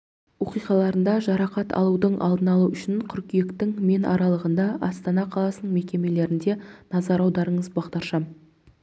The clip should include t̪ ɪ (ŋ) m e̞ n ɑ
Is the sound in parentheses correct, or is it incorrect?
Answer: correct